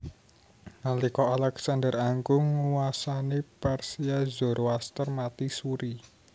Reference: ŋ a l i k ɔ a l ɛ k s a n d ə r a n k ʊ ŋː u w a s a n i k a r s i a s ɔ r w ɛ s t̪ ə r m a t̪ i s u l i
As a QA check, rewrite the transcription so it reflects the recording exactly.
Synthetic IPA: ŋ a l i k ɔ a l ɛ k s a n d ə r a ŋ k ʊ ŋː u w a s a n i p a r s i a z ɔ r w a s t̪ ə r m a t̪ i s u ɾ i